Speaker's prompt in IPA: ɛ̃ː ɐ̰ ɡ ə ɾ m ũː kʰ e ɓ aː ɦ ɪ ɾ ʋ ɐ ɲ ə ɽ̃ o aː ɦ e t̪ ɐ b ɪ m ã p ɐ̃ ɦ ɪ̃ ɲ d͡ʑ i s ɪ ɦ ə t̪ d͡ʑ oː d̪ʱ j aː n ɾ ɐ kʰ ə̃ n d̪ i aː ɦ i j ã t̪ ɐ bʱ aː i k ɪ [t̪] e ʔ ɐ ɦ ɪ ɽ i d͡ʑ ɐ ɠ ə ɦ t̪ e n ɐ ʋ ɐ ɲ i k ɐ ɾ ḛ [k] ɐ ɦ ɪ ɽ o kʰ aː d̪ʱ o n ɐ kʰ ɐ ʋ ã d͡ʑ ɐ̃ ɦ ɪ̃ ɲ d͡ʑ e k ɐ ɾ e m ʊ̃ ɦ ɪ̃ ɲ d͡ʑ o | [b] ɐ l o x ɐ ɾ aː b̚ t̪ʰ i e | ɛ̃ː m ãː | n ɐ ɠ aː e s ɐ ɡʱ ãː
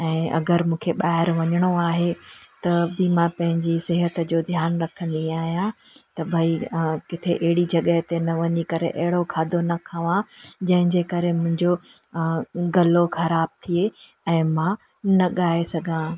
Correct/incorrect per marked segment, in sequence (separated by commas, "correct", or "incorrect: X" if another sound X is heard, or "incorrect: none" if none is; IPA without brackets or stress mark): incorrect: t̪ʰ, incorrect: ʔ, incorrect: ɡ